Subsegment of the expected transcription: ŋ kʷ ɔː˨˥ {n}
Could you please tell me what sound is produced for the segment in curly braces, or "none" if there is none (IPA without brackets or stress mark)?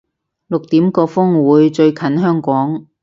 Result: ŋ